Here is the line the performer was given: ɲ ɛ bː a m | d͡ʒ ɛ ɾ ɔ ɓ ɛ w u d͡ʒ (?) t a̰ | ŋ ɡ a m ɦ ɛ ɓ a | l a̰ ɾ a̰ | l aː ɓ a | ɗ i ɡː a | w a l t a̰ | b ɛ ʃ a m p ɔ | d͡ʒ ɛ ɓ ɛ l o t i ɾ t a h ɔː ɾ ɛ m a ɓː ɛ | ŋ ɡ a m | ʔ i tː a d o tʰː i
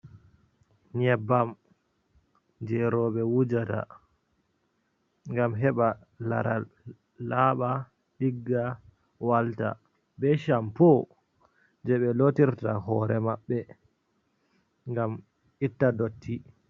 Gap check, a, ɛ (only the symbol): a